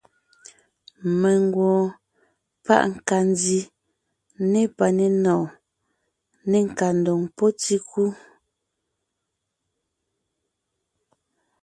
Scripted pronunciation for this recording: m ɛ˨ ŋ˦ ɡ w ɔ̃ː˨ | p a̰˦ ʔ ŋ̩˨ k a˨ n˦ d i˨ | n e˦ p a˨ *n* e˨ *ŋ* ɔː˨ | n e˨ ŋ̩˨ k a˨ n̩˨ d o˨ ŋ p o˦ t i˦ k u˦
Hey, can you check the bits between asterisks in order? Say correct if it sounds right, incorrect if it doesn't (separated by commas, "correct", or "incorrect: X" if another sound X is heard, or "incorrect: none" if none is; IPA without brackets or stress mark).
correct, incorrect: n